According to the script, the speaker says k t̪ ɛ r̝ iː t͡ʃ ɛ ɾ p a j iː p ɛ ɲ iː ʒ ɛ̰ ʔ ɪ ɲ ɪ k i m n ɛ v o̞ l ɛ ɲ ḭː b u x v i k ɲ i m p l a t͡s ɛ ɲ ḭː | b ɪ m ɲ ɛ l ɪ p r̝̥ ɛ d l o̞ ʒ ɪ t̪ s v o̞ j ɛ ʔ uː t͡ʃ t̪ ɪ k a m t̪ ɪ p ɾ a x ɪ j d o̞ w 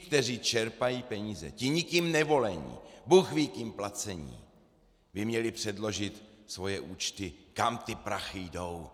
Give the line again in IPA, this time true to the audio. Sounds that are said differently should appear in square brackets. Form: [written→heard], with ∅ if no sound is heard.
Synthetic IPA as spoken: k t̪ ɛ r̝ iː t͡ʃ ɛ ɾ p a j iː p ɛ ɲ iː [ʒ→z] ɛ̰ [ʔ→c] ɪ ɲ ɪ k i m n ɛ v o̞ l ɛ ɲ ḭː b u x v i k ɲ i m p l a t͡s ɛ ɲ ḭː | b ɪ m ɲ ɛ l ɪ p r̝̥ ɛ d l o̞ ʒ ɪ t̪ s v o̞ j ɛ ʔ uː t͡ʃ t̪ ɪ k a m t̪ ɪ p ɾ a x ɪ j d o̞ w

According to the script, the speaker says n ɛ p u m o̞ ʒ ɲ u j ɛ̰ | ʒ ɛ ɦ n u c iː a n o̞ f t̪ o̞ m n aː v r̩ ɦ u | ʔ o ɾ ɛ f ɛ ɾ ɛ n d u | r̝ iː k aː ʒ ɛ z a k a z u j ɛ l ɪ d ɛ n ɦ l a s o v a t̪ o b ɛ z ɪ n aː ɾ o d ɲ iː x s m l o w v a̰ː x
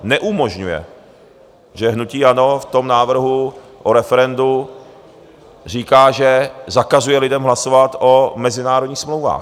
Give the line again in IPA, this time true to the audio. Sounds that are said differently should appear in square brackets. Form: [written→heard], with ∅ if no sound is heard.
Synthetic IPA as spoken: n ɛ [p→ʔ] u m o̞ ʒ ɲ u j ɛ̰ | ʒ ɛ ɦ n u c iː a n o̞ f t̪ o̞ m n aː v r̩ ɦ u | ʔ o ɾ ɛ f ɛ ɾ ɛ n d u | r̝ iː k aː ʒ ɛ z a k a z u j ɛ l ɪ d ɛ [n→m] ɦ l a s o v a t̪ o [b→m] ɛ z ɪ n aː ɾ o d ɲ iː x s m l o w v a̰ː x

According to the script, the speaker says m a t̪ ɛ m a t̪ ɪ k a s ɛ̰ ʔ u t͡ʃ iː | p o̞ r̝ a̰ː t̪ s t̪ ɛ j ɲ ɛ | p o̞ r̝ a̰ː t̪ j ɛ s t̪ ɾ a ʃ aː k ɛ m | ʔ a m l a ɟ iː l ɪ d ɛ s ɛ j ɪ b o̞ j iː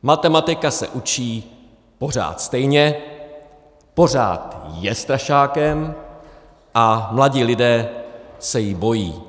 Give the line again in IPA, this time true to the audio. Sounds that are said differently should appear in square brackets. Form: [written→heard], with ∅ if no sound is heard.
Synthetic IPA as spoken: m a t̪ ɛ m a t̪ ɪ k a s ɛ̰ ʔ u t͡ʃ iː | p o̞ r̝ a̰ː t̪ s t̪ ɛ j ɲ ɛ | p o̞ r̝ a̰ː t̪ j ɛ s t̪ ɾ a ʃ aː k ɛ m | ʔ a m l a ɟ iː l ɪ d [ɛ→ɛː] s ɛ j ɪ b o̞ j iː

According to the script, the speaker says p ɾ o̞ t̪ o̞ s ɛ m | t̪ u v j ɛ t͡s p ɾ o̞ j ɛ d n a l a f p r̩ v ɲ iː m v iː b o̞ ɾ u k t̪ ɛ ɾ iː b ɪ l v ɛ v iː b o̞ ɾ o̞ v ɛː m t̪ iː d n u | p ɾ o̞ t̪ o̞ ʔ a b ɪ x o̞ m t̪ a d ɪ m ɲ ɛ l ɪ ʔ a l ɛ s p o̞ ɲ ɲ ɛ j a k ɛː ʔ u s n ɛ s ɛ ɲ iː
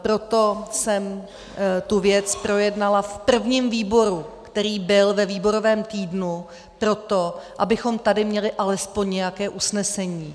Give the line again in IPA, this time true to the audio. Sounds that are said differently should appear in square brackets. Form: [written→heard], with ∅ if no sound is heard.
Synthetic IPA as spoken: p ɾ o̞ t̪ o̞ s ɛ m | t̪ u v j ɛ t͡s p ɾ o̞ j ɛ d n a l a f p r̩ v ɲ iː m v iː b o̞ ɾ u k t̪ ɛ ɾ iː b ɪ l v ɛ v iː b o̞ ɾ o̞ v ɛː m t̪ iː d n u | p ɾ o̞ t̪ o̞ ʔ a b ɪ x o̞ m t̪ a d ɪ m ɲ ɛ l ɪ ʔ a l ɛ s p o̞ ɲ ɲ ɛ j a k ɛː ʔ u s n ɛ s ɛ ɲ iː

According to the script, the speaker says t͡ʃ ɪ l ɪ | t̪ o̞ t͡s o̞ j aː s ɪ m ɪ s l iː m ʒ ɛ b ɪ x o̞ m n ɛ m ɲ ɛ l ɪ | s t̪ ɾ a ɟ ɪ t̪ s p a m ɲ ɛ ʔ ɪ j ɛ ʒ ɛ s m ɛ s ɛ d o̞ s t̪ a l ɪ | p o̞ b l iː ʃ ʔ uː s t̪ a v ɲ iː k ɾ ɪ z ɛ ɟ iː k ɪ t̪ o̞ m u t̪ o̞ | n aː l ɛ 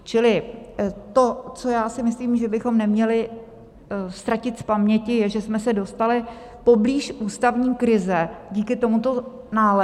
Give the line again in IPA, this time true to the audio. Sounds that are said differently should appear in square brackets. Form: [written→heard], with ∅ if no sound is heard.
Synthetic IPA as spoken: t͡ʃ ɪ l ɪ | t̪ o̞ t͡s o̞ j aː s ɪ m ɪ s l iː m ʒ ɛ b ɪ x o̞ m n ɛ m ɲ ɛ l ɪ | s t̪ ɾ a [ɟ→c] ɪ t̪ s p a m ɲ ɛ [ʔ→c] ɪ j ɛ ʒ ɛ s m ɛ s ɛ d o̞ s t̪ a l ɪ | p o̞ b l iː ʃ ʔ uː s t̪ a v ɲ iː k ɾ ɪ z ɛ ɟ iː k ɪ t̪ o̞ m u t̪ o̞ | n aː l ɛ

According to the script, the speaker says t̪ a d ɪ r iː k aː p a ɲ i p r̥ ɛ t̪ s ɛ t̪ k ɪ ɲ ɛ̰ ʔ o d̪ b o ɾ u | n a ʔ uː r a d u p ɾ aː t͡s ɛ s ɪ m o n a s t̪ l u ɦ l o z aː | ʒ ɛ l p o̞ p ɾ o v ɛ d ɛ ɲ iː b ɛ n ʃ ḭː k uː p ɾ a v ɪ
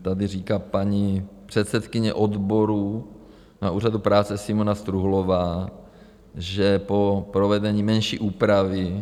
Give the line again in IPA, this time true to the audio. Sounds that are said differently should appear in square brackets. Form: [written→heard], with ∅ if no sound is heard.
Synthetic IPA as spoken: t̪ a d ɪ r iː k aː p a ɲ i p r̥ ɛ t̪ s ɛ t̪ k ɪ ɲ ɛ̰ ʔ o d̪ b o ɾ u | n a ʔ uː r a d u p ɾ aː t͡s ɛ s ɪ m o n a s t̪ [l→ɾ] u ɦ l o [z→v] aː | ʒ ɛ [l→∅] p o̞ p ɾ o v ɛ d ɛ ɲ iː [b→m] ɛ n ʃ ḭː [k→ʔ] uː p ɾ a v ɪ

